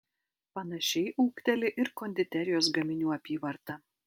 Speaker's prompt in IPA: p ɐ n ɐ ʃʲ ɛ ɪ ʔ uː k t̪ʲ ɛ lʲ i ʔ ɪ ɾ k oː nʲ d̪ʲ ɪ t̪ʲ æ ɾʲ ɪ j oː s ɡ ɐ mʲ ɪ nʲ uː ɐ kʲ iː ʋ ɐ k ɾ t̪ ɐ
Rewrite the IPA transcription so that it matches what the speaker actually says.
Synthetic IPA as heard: p ɐ n ɐ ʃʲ ɛ ɪ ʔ uː k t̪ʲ ɛ lʲ ɪ ʔ ɪ ɾ k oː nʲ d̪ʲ ɪ t̪ʲ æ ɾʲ ɪ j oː s ɡ ɐ mʲ ɪ nʲ uː ɐ pʲ iː ʋ ɐ ɾ t̪ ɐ

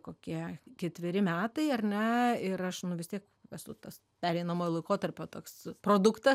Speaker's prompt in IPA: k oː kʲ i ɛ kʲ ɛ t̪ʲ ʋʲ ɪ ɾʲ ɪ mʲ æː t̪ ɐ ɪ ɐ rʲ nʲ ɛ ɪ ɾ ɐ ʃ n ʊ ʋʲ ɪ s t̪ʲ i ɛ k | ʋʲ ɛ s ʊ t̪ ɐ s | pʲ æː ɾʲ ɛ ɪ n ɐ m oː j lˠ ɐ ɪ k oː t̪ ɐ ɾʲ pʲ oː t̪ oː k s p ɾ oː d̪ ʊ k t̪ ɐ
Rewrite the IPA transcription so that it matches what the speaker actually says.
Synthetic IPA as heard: k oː kʲ i ɛ kʲ ɛ t̪ʲ ʋʲ ɪ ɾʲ ɪ mʲ æː t̪ ɐ ɪ ɐ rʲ nʲ ɛ ɪ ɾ ɐ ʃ n ʊ ʋʲ ɪ s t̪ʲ i ɛ k | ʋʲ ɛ s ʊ t̪ ɐ s | pʲ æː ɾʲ ɛ ɪ n ɐ m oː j lˠ ɐ ɪ k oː t̪ ɐ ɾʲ pʲ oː t̪ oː k s p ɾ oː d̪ ʊ k t̪ ɐ

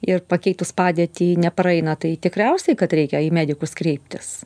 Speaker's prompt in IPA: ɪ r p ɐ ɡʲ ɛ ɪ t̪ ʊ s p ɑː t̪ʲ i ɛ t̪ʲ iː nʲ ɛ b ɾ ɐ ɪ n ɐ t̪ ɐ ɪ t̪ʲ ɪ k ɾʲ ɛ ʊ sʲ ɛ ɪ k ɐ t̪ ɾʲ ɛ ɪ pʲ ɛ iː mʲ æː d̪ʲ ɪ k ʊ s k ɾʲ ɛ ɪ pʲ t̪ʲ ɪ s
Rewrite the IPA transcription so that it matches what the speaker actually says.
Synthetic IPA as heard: ɪ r p ɐ kʲ ɛ ɪ t̪ ʊ s p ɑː d̪ʲ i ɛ t̪ʲ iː nʲ ɛ p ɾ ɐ ɪ n ɐ t̪ ɐ ɪ t̪ʲ ɪ k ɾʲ ɛ ʊ sʲ ɛ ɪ k ɐ t̪ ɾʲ ɛ ɪ kʲ ɛ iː mʲ æː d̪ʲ ɪ k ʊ s k ɾʲ ɛ ɪ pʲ t̪ʲ ɪ s

